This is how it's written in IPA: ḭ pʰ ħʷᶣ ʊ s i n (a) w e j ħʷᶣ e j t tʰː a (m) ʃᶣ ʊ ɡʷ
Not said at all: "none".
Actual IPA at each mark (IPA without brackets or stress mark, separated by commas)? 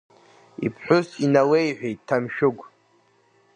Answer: a, m